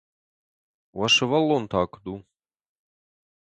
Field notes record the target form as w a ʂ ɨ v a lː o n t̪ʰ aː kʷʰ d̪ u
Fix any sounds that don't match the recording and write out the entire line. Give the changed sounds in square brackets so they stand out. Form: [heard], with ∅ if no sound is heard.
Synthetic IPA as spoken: w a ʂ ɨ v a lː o n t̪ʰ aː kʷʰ d̪ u